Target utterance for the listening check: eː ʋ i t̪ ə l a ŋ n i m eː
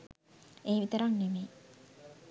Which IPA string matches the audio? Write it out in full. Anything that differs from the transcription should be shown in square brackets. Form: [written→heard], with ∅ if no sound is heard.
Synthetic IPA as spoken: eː ʋ i t̪ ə [l→ɾ] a ŋ n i m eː

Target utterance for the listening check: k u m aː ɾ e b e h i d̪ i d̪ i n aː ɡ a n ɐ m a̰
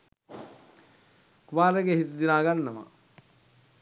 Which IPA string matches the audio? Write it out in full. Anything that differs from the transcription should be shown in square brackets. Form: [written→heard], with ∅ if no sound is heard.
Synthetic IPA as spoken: k u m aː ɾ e [b→ɡ] e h i [d̪→t̪] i d̪ i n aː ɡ a [n→nː] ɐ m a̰

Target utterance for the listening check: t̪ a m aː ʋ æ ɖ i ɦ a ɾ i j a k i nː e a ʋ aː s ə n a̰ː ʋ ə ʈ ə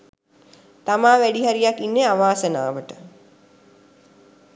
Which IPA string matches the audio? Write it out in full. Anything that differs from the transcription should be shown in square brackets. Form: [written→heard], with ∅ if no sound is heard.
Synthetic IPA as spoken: t̪ a m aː ʋ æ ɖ i ɦ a ɾ i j a k i nː e a ʋ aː s ə n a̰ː ʋ ə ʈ ə

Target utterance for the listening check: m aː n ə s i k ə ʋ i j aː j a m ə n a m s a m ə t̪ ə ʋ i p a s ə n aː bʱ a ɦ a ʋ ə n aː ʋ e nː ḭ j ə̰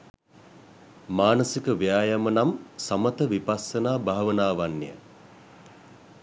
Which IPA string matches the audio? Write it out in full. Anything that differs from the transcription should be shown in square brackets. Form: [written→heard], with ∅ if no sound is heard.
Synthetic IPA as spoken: m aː n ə s i k ə ʋ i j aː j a m ə n a m s a m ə t̪ ə ʋ i p a s ə n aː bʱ a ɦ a ʋ ə n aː ʋ [e→a] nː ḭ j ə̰

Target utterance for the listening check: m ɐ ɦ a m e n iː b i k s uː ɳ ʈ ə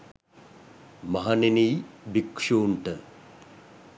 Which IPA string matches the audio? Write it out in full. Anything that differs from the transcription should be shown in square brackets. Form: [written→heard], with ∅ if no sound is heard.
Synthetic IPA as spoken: m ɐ ɦ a [m→n] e n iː b i k [s→ʂ] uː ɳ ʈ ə

